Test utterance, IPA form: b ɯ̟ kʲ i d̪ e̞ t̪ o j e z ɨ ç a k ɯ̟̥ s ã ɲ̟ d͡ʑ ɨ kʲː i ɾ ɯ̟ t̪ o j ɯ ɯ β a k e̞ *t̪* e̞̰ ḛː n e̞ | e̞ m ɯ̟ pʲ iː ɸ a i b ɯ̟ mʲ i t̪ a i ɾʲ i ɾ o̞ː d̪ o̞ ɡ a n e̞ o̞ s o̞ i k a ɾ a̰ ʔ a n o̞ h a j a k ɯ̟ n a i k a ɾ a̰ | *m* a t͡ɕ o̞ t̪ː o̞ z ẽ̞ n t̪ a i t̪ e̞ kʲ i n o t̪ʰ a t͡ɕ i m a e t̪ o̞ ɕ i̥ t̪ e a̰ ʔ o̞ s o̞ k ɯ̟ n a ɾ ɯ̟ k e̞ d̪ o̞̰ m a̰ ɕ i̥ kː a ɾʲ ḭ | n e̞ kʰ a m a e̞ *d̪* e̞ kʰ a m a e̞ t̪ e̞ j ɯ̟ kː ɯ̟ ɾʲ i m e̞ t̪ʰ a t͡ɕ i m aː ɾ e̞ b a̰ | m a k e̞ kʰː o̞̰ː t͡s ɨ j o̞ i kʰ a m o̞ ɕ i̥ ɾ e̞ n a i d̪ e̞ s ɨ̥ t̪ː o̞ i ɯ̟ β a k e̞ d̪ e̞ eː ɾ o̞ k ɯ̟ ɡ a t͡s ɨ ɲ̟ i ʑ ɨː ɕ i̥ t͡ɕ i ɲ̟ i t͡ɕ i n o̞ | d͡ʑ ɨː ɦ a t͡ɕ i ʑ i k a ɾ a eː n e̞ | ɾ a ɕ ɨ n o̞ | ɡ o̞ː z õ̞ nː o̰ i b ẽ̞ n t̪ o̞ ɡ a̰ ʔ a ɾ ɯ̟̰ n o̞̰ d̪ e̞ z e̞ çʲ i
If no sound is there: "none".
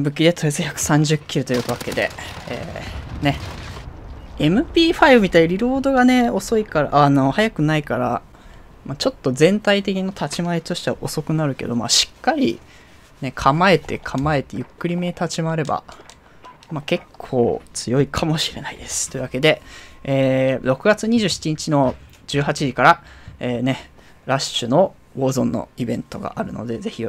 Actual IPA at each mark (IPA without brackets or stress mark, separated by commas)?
d̪, m, t̪